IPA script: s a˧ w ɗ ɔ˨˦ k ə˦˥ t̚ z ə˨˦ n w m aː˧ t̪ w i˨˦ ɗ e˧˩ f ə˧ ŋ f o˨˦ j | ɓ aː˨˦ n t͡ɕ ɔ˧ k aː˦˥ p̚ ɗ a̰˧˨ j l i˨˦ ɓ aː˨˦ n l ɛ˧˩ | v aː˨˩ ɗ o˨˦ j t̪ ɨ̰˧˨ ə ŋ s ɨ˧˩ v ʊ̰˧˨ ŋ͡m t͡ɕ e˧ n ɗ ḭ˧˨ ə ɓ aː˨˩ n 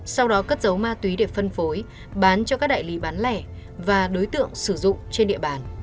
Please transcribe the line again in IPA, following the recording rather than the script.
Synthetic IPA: s a˧ w ɗ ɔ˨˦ k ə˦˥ t̚ z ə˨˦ w m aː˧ t̪ w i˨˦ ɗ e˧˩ f ə˧ n f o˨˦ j | ɓ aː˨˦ n t͡ɕ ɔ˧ k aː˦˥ k̚ ɗ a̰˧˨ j l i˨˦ ɓ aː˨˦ n l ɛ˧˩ | v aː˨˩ ɗ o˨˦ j t̪ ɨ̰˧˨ ə ŋ s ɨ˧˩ z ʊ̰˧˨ ŋ͡m t͡ɕ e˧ n ɗ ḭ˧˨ ə ɓ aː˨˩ n